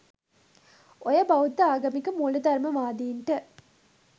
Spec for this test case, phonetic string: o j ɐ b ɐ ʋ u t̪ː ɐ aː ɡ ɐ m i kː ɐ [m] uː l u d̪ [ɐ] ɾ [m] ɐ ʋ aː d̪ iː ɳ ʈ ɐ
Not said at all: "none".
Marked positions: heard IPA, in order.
m, ɐ, m

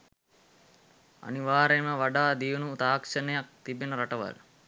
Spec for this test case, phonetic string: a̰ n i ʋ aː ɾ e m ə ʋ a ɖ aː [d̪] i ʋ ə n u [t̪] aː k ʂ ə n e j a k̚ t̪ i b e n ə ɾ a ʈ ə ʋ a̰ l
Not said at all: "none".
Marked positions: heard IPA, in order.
d̪, t̪

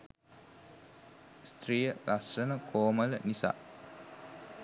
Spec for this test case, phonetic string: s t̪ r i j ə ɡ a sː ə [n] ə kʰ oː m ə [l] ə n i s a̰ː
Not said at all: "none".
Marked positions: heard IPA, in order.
n, l

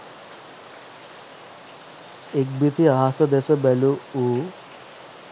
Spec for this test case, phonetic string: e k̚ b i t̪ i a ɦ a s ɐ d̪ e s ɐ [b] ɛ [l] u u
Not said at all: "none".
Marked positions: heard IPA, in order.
b, l

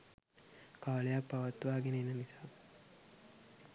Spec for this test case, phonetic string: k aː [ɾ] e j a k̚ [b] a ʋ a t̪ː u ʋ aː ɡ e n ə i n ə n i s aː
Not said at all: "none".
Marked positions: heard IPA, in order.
l, p

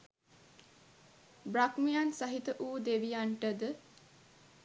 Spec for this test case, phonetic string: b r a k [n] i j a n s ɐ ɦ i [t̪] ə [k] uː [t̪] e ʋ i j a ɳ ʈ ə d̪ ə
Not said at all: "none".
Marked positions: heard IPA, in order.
m, t̪, ʔ, d̪

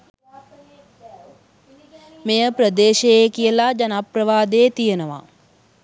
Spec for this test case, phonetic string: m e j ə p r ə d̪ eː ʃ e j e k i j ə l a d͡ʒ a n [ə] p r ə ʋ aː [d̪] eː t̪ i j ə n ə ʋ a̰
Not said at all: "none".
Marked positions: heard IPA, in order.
a, d̪

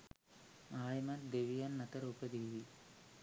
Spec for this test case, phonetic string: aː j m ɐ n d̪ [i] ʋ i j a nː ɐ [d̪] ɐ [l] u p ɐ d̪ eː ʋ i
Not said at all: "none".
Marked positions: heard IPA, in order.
e, t̪, ɾ

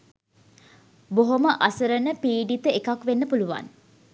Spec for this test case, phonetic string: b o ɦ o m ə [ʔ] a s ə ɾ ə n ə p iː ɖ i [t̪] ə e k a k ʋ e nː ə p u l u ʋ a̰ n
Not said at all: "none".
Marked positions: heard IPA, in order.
ʔ, t̪

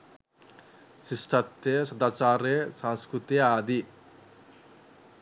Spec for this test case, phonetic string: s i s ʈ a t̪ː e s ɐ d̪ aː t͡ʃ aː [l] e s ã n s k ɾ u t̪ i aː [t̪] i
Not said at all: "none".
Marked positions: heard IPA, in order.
ɾ, d̪

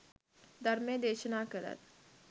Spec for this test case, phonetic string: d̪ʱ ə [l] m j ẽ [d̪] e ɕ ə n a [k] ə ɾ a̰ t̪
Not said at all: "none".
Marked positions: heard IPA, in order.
ɾ, d̪, k

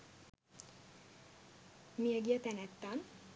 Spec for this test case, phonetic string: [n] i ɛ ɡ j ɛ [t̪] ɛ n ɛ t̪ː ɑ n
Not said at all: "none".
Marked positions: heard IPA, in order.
m, t̪

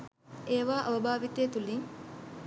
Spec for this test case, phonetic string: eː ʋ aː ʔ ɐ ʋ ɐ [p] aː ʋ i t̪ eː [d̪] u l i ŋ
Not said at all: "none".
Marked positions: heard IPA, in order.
b, t̪

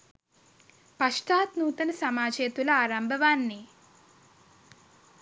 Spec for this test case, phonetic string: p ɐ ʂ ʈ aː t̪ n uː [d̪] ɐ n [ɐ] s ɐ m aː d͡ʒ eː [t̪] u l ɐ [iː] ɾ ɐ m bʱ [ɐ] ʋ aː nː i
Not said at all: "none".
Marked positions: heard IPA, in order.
t̪, ɐ, t̪, aː, ɐ

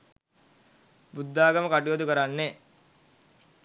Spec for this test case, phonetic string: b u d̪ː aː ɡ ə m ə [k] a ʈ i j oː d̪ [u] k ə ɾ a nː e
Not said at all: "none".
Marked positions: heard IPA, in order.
k, u

